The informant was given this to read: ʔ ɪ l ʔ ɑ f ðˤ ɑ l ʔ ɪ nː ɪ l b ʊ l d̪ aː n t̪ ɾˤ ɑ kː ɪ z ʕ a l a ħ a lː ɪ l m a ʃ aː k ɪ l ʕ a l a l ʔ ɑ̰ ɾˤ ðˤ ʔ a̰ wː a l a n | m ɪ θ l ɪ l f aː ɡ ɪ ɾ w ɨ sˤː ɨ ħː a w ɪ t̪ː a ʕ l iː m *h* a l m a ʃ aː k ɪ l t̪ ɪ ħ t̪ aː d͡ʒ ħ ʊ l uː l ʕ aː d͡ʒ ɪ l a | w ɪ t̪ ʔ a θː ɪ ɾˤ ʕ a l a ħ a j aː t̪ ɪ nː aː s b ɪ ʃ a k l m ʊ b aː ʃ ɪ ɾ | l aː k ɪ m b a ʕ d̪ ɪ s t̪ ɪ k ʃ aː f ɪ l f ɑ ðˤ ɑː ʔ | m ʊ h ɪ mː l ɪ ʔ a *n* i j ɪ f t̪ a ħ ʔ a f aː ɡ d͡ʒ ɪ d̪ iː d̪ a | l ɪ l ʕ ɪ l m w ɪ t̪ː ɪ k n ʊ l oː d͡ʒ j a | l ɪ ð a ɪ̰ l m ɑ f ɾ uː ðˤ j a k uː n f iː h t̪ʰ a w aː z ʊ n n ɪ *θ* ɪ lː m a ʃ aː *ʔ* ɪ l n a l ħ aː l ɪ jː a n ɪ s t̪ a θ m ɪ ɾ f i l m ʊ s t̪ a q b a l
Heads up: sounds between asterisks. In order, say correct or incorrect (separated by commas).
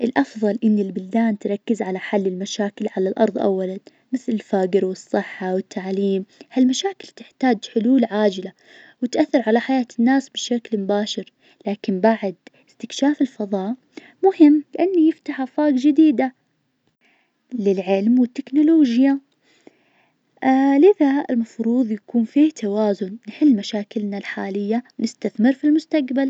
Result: correct, incorrect, incorrect, incorrect